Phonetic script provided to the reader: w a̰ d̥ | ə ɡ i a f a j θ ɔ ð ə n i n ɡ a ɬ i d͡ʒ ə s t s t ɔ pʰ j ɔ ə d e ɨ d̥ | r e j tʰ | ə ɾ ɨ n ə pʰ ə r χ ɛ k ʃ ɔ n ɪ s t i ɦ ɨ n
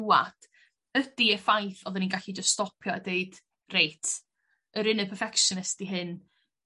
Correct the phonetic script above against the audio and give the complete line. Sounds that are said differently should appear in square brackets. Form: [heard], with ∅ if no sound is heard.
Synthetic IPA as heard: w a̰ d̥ | ə [d] i [ə] f a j θ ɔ ð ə n i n ɡ a ɬ i d͡ʒ ə s t s t ɔ pʰ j ɔ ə d e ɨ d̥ | r e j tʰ | ə ɾ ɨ n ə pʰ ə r [f] ɛ k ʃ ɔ n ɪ s t i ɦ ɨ n